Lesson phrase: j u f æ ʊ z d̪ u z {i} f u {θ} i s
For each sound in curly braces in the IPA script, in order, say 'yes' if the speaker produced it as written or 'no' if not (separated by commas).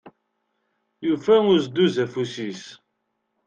no, no